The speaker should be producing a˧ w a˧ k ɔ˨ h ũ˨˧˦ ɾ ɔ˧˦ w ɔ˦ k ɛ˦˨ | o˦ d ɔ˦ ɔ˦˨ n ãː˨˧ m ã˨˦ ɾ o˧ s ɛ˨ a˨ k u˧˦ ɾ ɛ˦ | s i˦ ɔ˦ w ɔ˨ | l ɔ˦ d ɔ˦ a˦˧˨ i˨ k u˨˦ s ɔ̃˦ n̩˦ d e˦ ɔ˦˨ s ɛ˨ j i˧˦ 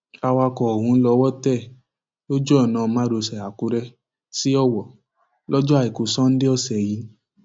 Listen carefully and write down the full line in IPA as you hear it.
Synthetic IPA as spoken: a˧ w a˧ k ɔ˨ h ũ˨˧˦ l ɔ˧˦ w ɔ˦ t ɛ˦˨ | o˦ d͡ʒ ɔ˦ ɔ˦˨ n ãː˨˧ m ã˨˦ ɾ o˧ s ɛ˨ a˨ k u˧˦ ɾ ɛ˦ | s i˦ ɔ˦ w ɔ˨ | l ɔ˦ d͡ʒ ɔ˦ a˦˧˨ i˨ k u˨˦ s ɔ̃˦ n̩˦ d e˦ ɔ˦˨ s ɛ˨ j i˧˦